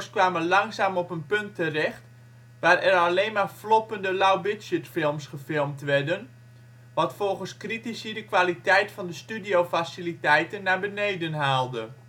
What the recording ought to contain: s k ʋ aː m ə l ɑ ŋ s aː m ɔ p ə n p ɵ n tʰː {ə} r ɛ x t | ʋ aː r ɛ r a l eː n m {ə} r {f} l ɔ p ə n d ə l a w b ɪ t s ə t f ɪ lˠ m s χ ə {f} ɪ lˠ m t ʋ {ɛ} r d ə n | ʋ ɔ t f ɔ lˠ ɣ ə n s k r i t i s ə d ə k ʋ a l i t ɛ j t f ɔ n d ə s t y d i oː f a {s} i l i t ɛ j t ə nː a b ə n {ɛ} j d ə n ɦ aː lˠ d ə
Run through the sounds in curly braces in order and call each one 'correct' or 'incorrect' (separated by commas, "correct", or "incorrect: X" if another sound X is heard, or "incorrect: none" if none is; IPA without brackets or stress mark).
correct, incorrect: a, correct, correct, correct, correct, incorrect: e